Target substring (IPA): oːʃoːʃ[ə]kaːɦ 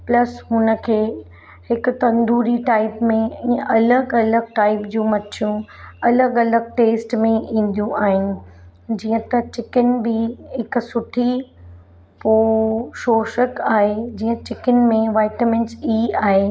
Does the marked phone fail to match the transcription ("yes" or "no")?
no